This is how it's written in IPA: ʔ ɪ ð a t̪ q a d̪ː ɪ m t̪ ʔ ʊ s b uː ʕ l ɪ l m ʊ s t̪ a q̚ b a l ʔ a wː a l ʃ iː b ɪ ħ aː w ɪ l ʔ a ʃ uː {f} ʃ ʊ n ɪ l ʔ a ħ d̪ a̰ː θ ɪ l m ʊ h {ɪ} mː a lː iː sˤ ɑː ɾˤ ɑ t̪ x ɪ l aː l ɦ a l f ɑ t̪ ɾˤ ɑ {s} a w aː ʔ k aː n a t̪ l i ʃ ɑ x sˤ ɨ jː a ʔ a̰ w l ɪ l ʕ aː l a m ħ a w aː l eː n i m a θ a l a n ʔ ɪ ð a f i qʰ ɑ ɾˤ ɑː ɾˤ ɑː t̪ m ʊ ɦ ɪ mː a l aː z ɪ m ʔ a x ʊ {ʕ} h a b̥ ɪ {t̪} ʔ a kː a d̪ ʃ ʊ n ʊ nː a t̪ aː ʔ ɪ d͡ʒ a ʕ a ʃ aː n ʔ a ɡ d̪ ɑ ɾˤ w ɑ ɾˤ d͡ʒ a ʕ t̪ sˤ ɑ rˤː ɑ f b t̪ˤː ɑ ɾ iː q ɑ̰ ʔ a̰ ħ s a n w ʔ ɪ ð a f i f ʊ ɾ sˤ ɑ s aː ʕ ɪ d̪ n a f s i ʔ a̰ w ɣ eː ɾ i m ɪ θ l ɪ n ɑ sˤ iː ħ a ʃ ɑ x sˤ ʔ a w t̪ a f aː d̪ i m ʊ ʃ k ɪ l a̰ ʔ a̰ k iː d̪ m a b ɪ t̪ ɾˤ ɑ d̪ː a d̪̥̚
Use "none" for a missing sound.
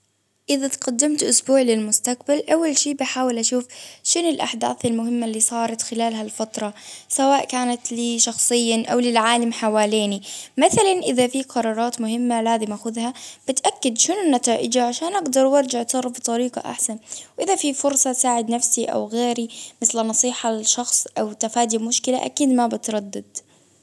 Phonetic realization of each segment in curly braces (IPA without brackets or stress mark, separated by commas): f, ɪ, s, ð, t̪